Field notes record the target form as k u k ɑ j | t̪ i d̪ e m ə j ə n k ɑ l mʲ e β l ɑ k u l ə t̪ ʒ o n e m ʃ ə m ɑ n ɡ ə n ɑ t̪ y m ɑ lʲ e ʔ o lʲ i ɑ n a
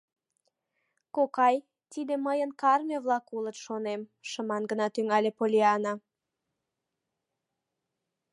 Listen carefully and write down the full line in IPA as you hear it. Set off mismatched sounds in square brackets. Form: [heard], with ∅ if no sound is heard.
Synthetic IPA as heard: k [o] k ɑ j | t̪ i d̪ e m ə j ə n k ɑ [r] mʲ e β l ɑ k u l ə t̪ [ʃ] o n e m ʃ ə m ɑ n ɡ ə n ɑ t̪ y [ŋ] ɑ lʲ e [p] o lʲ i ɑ n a

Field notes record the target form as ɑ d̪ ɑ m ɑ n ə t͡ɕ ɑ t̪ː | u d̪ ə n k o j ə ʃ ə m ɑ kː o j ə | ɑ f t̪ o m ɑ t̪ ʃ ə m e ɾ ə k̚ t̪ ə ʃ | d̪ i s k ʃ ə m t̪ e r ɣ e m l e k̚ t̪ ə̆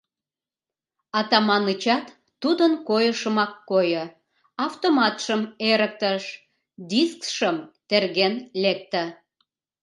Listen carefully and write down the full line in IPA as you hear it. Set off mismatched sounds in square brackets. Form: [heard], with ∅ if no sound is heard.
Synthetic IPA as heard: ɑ [t̪] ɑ m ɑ n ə t͡ɕ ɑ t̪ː | u d̪ ə n k o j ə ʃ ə m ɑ kː o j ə | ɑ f t̪ o m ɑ t̪ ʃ ə m e ɾ ə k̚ t̪ ə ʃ | d̪ i s k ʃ ə m t̪ e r ɣ e [n] l e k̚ t̪ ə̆

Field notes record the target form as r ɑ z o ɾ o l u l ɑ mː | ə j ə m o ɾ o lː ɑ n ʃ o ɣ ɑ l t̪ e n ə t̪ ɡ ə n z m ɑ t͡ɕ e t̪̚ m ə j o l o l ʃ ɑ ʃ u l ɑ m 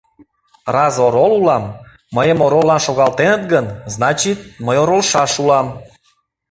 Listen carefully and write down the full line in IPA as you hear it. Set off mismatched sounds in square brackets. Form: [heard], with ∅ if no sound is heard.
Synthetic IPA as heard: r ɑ z o ɾ o l u l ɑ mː | ə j ə m o ɾ o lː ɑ n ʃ o ɣ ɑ l t̪ e n ə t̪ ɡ ə n z [n] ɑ t͡ɕ [i] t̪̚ m ə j o [ɾ] o l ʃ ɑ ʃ u l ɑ m

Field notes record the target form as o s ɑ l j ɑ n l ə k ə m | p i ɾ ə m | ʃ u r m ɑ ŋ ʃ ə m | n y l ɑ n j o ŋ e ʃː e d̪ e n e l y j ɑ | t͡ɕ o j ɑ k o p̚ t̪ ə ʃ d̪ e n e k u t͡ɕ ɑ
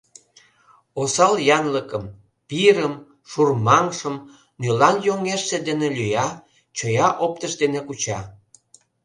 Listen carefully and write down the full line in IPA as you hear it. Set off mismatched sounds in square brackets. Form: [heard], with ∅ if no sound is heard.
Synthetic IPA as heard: o s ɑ l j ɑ n l ə k ə m | p i ɾ ə m | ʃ u r m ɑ ŋ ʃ ə m | n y l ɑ n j o ŋ e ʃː e d̪ e n e l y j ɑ | t͡ɕ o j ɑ [ʔ] o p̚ t̪ ə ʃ d̪ e n e k u t͡ɕ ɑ

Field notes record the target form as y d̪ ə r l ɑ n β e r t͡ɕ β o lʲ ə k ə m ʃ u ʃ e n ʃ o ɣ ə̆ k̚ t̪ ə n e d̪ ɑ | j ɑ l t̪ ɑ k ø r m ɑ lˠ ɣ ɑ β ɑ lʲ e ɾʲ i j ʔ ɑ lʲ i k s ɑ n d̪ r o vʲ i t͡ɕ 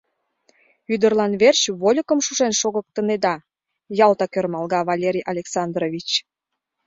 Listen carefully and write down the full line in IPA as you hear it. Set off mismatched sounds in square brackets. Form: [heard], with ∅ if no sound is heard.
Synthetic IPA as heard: y d̪ ə r l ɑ n β e r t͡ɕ β o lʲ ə k ə m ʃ u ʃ e n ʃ o ɣ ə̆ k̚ t̪ ə n e d̪ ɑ | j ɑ l t̪ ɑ k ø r m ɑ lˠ ɣ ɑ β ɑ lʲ e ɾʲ i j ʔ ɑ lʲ [e] k s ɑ n d̪ r o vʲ i t͡ɕ

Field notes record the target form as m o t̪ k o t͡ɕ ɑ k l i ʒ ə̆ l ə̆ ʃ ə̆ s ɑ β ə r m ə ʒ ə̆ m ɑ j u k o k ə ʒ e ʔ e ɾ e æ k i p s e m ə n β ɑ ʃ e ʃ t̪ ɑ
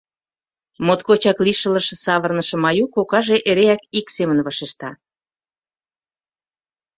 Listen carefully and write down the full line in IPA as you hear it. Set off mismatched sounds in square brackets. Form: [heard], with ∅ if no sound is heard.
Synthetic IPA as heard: m o t̪ k o t͡ɕ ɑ k l i [ʃ] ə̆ l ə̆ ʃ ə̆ s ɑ β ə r [n] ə [ʃ] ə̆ m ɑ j u k o k [ɑ] ʒ e ʔ e ɾ e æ k i [k] s e m ə n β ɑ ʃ e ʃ t̪ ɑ

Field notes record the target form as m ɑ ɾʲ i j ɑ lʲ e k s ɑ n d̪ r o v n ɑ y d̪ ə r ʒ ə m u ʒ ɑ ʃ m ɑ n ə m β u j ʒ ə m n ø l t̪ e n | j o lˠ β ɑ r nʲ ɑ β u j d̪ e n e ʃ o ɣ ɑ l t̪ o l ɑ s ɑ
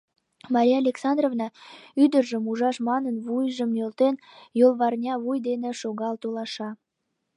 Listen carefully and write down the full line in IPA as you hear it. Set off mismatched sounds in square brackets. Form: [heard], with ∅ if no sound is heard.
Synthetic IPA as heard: m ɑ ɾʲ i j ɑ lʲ e k s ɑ n d̪ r o v n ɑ y d̪ ə r ʒ ə m u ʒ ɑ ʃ m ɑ n ə [n] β u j ʒ ə m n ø l t̪ e n | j o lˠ β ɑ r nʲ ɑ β u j d̪ e n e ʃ o ɣ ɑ l t̪ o l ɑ [ʃ] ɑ

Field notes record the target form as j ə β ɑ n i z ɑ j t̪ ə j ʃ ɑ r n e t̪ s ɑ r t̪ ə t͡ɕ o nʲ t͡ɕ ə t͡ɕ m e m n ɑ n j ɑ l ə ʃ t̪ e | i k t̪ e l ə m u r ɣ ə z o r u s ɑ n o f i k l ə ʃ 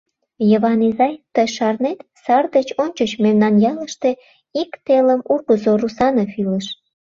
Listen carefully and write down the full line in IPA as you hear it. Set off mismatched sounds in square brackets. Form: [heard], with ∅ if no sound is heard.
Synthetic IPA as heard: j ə β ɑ n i z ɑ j t̪ ə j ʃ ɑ r n e t̪ s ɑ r [d̪] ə t͡ɕ o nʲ t͡ɕ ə t͡ɕ m e m n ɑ n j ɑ l ə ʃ t̪ e | i k t̪ e l ə m u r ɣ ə z o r u s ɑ n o f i [∅] l ə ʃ

